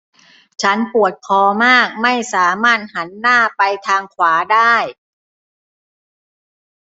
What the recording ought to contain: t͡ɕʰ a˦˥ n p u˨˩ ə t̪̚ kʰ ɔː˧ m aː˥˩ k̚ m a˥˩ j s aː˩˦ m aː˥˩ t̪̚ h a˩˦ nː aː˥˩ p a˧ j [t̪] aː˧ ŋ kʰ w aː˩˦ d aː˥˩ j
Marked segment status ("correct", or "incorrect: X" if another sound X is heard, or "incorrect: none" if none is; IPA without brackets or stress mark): incorrect: t̪ʰ